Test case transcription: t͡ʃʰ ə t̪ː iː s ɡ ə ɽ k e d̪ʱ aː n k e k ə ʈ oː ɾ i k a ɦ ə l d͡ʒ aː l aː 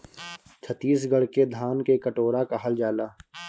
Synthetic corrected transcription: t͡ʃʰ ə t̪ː iː s ɡ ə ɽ k e d̪ʱ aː n k e k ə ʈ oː ɾ a k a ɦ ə l d͡ʒ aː l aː